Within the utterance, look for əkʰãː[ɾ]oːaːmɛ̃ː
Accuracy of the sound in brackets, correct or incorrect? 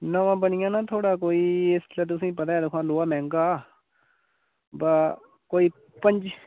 incorrect